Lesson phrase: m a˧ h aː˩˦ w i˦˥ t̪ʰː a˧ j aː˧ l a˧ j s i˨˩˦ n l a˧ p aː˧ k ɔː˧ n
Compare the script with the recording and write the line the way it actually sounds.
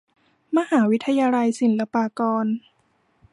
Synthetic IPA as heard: m a˧ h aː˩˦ w i˦˥ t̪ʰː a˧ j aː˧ l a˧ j s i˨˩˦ n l a˧ p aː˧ k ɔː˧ n